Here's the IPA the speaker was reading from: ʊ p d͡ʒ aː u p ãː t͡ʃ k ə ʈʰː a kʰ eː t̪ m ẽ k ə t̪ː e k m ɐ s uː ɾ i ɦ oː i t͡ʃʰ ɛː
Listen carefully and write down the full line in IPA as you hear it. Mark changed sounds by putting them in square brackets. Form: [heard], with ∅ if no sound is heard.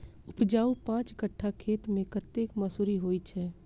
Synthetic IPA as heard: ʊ p d͡ʒ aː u p ãː t͡ʃ k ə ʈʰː a kʰ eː t̪ m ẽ k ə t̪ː e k m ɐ s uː ɾ i ɦ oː i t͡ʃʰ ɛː